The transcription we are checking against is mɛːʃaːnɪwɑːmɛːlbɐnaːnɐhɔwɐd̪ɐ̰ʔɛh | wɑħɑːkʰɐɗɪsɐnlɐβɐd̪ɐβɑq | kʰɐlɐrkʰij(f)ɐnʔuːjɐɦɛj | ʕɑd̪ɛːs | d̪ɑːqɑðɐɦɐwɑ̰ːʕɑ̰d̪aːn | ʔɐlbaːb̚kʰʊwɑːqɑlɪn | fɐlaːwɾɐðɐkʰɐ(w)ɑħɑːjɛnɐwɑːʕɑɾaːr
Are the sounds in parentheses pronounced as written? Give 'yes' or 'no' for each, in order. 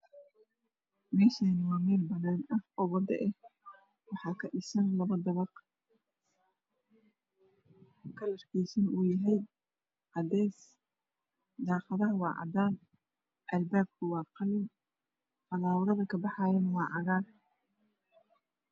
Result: no, no

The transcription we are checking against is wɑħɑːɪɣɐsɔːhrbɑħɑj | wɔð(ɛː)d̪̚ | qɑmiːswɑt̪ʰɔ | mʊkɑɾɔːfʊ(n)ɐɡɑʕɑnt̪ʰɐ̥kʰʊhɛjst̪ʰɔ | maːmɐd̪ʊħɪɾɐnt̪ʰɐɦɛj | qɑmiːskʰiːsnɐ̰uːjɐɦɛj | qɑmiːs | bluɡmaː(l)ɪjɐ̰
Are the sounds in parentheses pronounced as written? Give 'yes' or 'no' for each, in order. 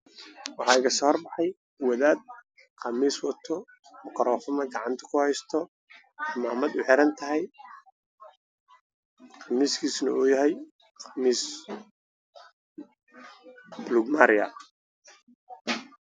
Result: no, no, no

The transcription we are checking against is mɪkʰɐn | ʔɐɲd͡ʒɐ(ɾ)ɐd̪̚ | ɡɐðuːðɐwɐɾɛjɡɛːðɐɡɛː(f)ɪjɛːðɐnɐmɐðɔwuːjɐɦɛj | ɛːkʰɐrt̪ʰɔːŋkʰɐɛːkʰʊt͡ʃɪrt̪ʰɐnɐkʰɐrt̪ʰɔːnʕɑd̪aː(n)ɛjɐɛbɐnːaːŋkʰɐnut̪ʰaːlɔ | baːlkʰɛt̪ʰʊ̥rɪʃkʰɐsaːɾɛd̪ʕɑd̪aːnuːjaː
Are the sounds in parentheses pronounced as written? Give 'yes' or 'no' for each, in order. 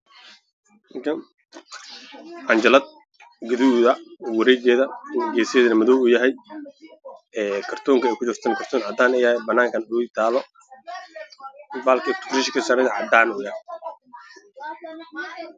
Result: no, no, yes

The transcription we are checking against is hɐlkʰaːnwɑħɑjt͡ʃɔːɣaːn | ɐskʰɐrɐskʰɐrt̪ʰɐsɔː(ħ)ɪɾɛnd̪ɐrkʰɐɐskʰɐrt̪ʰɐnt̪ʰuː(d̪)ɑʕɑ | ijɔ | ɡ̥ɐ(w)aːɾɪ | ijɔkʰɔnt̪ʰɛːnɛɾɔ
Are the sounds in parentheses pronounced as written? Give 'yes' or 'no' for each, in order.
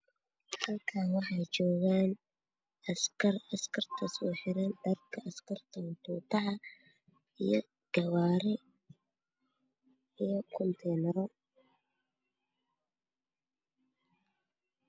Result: yes, no, yes

